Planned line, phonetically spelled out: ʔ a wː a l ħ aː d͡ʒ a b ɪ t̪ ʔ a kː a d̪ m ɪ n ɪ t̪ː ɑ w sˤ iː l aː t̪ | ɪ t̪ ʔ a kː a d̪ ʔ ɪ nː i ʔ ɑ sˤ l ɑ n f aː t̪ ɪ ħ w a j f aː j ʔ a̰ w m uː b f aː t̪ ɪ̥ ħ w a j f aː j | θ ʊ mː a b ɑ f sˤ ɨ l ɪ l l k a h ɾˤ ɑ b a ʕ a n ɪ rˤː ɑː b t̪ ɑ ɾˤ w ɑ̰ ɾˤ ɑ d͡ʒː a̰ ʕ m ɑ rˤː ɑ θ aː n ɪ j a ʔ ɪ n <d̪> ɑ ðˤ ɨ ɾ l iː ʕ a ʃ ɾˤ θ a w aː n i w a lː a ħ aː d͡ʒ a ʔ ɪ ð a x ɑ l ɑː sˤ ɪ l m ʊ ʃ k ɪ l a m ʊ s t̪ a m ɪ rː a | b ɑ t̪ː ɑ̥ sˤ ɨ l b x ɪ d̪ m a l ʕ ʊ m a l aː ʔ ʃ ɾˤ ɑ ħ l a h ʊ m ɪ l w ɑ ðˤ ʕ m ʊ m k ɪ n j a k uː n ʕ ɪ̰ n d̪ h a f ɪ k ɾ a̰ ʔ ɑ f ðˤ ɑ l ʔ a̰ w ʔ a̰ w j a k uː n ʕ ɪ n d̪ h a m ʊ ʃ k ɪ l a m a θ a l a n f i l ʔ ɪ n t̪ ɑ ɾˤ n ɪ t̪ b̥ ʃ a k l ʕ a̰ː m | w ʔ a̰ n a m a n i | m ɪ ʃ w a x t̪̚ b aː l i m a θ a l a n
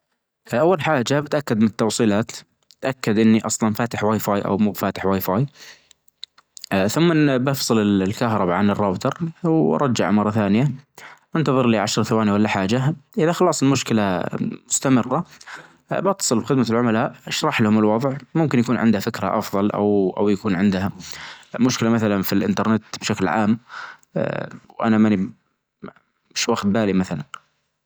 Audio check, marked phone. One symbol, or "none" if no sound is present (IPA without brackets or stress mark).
t̪